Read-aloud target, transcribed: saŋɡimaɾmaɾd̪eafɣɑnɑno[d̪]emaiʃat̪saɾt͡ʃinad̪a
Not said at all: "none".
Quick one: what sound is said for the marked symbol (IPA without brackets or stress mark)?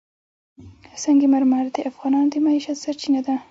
d̪